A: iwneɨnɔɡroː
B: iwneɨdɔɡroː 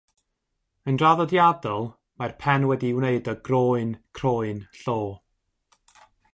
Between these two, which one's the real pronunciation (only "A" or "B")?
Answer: B